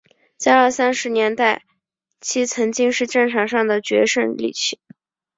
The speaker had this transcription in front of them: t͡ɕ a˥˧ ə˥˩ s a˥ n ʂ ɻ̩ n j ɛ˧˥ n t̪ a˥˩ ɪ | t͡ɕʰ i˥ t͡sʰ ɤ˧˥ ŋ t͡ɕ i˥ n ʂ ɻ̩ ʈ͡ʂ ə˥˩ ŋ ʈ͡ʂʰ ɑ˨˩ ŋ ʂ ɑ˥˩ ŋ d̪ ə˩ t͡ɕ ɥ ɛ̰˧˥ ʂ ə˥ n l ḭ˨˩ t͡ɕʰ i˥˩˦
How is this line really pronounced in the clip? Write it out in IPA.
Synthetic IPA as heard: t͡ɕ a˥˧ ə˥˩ s a˥ n ʂ ɻ̩ n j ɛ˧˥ n t̪ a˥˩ ɪ | t͡ɕʰ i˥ t͡sʰ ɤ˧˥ ŋ t͡ɕ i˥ ŋ ʂ ɻ̩ ʈ͡ʂ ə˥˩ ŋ ʈ͡ʂʰ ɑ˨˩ ŋ ʂ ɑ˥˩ ŋ d̪ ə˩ t͡ɕ ɥ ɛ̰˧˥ ʂ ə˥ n l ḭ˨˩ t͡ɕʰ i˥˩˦